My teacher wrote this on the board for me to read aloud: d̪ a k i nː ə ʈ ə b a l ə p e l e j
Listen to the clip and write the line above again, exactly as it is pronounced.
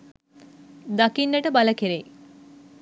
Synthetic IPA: d̪ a k i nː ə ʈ ə b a l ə k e ɾ e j